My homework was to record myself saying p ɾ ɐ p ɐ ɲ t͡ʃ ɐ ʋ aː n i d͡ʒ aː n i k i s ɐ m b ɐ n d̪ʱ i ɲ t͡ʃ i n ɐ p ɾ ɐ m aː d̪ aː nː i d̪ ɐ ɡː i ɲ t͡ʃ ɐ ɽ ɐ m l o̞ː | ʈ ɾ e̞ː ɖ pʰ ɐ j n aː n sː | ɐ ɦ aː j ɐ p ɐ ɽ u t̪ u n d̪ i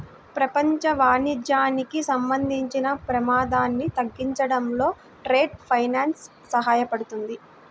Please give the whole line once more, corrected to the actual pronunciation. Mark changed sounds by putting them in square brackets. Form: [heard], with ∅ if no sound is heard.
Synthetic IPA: p ɾ ɐ p ɐ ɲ t͡ʃ ɐ ʋ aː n i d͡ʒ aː n i k i s ɐ m b ɐ n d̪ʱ i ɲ t͡ʃ i n ɐ p ɾ ɐ m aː d̪ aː nː i [t̪] ɐ ɡː i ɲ t͡ʃ ɐ ɽ ɐ m l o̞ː | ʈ ɾ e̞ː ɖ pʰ ɐ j n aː n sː | ɐ ɦ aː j ɐ p ɐ ɽ u t̪ u n d̪ i